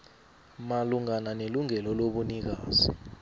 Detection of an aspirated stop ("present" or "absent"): absent